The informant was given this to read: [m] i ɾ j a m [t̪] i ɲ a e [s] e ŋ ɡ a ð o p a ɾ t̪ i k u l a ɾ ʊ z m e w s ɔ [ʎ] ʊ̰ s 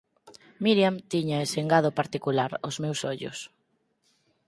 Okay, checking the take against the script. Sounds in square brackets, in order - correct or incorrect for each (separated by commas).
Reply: correct, correct, correct, correct